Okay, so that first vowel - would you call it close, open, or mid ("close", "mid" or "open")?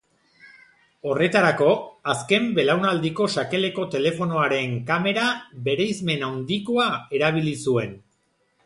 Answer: mid